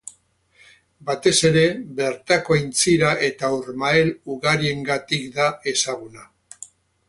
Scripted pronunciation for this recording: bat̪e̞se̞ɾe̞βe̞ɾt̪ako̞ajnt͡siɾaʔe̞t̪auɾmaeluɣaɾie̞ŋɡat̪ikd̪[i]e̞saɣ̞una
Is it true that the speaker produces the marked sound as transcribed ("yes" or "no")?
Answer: no